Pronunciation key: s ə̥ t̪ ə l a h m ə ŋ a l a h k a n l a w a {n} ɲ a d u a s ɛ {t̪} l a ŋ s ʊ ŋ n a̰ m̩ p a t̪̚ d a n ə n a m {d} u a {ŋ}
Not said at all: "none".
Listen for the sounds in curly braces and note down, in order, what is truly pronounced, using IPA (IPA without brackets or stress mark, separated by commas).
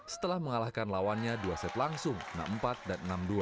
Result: n, t̪, d, none